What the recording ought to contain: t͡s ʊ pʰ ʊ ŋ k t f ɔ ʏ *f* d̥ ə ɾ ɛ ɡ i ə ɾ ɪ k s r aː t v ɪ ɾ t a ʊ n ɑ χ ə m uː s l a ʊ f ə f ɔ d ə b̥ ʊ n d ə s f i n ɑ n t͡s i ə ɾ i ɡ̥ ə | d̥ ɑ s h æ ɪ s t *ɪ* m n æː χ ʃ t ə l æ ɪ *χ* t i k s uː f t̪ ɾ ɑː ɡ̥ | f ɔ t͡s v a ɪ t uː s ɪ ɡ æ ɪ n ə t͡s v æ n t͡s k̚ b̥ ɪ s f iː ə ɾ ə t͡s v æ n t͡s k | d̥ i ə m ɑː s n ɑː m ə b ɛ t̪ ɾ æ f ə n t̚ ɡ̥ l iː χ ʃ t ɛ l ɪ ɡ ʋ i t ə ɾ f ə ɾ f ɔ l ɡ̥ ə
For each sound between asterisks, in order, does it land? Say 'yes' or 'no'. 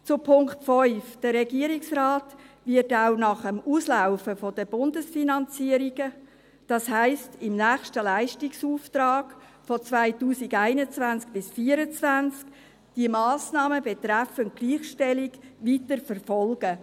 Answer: yes, yes, no

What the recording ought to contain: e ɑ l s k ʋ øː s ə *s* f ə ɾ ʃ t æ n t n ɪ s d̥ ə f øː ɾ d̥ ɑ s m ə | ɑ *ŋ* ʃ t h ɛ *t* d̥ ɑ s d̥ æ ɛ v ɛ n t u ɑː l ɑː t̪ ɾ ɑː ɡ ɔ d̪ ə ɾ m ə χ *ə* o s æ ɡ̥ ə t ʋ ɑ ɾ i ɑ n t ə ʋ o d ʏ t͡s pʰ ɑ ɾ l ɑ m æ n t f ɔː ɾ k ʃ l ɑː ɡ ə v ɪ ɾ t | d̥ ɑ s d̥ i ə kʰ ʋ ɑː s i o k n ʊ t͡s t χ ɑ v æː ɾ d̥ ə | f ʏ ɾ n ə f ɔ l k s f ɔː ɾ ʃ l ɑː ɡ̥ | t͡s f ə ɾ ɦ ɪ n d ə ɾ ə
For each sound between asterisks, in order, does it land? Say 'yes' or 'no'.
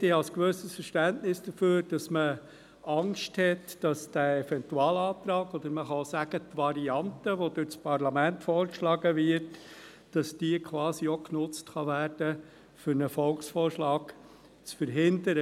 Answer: yes, yes, yes, no

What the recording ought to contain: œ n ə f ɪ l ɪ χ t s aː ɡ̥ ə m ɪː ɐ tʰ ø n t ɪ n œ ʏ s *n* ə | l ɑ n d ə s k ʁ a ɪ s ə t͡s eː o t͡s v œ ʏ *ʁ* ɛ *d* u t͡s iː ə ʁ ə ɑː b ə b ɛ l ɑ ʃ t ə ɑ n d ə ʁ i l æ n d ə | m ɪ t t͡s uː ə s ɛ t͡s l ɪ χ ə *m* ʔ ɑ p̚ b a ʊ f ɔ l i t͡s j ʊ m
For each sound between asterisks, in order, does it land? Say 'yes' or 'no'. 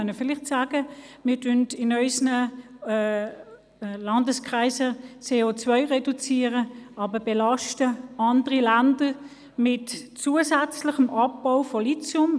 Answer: yes, yes, yes, yes

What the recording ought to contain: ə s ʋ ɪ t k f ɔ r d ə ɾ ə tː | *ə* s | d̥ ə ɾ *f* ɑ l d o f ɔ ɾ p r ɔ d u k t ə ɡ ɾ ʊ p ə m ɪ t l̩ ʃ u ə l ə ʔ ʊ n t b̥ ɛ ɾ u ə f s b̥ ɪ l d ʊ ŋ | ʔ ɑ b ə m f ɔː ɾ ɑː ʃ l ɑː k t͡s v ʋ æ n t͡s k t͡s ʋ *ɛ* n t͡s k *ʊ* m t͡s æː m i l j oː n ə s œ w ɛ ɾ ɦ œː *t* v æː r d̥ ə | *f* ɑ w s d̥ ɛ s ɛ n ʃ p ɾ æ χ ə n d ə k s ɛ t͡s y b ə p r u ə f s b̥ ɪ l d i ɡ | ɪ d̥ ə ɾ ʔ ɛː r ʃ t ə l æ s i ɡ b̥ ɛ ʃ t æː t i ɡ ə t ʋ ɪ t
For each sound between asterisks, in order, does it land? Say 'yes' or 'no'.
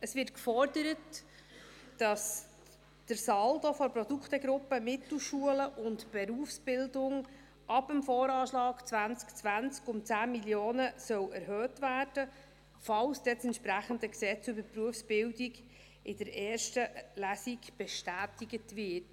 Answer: no, no, no, yes, yes, yes

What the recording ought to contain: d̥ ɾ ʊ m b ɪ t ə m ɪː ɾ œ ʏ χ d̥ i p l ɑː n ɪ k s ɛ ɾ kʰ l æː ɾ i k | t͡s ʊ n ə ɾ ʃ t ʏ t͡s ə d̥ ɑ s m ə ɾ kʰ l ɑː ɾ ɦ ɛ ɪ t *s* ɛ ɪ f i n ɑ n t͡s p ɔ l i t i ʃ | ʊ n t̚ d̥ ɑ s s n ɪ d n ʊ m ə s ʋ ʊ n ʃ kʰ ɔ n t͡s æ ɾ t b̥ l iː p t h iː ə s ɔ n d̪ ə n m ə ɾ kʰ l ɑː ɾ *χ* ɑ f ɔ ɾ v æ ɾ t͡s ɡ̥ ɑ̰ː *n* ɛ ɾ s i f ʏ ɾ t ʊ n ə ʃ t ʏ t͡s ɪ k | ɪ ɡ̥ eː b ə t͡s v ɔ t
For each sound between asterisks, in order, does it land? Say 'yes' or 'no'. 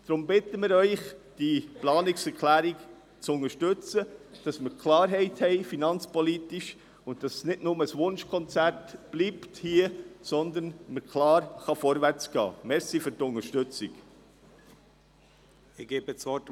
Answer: no, yes, no

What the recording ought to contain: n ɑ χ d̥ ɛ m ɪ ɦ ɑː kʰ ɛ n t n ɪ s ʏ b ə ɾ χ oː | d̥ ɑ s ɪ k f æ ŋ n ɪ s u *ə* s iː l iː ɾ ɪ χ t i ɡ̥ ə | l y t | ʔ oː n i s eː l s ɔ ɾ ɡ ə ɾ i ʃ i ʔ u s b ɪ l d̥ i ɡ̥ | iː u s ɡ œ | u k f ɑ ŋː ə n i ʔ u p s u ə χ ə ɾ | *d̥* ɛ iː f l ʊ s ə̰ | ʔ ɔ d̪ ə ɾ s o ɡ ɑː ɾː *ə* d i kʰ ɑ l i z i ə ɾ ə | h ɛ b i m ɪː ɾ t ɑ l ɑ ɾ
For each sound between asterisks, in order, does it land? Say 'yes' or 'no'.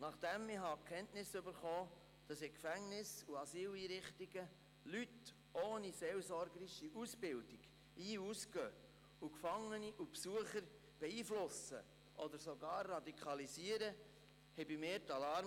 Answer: no, no, no

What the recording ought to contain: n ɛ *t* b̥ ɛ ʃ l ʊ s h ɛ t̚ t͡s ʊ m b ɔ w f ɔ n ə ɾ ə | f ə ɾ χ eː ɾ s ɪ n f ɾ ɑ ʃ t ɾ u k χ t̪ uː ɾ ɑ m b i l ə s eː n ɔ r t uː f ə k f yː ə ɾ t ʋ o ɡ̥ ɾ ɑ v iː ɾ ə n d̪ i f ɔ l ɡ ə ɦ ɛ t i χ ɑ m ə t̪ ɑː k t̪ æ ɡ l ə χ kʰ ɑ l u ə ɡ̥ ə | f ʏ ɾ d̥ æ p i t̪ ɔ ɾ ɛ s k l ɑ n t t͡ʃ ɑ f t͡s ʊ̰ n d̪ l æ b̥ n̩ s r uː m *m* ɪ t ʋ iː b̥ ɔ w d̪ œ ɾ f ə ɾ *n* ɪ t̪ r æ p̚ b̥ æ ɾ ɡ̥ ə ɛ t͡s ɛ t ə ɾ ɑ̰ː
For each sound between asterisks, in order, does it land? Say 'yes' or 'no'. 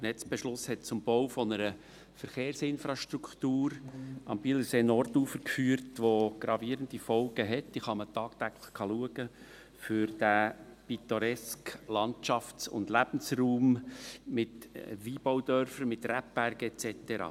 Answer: no, yes, no

